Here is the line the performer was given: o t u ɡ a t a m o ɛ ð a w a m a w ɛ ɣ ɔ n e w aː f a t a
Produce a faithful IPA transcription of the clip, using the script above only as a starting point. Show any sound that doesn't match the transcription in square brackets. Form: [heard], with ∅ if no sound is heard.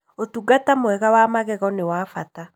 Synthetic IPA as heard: o t u ɡ a t a m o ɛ [ɣ] a w a m a [ɣ] ɛ ɣ ɔ n e w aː f a t a